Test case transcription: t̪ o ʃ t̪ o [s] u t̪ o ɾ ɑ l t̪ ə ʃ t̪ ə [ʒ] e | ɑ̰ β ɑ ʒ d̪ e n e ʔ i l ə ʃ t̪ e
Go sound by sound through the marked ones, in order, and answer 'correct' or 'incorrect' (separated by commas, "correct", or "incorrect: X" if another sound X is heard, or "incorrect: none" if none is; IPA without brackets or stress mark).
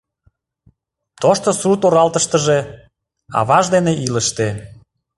correct, correct